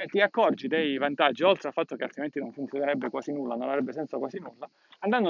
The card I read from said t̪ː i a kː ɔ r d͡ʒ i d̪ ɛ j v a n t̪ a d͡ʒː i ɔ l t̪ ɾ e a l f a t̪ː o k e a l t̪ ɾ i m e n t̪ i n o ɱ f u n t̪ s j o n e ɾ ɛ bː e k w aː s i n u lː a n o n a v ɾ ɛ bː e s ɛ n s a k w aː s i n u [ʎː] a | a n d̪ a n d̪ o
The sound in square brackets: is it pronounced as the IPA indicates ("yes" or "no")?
no